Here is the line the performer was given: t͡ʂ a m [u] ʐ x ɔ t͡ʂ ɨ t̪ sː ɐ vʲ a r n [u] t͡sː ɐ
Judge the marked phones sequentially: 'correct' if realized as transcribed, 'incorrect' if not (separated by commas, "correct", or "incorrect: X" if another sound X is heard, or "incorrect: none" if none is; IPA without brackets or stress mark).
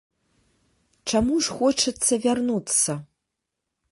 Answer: correct, correct